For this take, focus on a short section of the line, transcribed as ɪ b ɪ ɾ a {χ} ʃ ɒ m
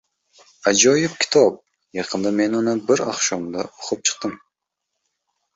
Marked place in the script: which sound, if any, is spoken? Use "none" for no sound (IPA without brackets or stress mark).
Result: χ